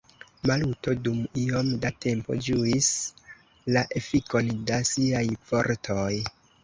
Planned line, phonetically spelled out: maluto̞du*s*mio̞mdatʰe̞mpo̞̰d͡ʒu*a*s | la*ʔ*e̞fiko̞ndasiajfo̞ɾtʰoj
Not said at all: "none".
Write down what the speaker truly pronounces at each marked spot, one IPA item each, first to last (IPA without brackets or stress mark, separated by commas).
none, i, ʔ